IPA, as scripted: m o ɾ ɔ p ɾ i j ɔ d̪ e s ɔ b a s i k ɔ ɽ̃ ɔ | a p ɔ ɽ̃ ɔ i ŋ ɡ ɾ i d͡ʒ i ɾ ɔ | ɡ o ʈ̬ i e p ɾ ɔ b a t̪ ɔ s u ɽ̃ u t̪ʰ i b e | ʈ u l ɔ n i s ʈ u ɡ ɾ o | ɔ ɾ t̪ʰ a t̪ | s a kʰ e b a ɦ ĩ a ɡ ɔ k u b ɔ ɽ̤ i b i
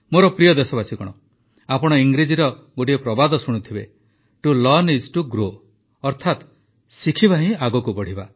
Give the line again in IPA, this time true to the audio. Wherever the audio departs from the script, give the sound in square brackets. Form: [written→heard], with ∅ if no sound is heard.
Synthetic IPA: m o ɾ ɔ p ɾ i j ɔ d̪ e s ɔ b a s i k ɔ ɽ̃ ɔ | a p ɔ ɽ̃ ɔ i ŋ ɡ ɾ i d͡ʒ i ɾ ɔ | ɡ o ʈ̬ i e p ɾ ɔ b a [t̪→d̪] ɔ s u ɽ̃ u t̪ʰ i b e | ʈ u l ɔ n i s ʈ u ɡ ɾ o | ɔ ɾ t̪ʰ a t̪ | s [a→i] kʰ [e→i] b a ɦ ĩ a ɡ ɔ k u b ɔ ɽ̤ i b [i→a]